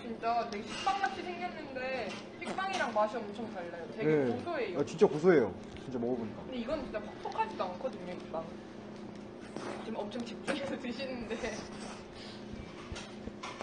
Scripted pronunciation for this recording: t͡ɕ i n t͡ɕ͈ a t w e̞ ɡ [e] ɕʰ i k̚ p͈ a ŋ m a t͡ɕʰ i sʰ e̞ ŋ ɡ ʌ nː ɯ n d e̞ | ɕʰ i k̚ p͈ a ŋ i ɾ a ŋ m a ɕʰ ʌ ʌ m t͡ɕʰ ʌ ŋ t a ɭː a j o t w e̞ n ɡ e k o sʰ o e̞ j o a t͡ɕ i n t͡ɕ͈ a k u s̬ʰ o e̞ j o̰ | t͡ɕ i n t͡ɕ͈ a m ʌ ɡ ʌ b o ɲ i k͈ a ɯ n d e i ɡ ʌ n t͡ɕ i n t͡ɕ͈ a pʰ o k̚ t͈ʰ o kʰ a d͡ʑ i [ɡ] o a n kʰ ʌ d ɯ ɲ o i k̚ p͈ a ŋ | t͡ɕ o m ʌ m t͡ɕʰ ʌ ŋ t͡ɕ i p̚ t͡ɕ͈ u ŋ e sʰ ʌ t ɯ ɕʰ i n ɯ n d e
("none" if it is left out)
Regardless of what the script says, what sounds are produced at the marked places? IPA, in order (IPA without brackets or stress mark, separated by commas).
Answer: e, d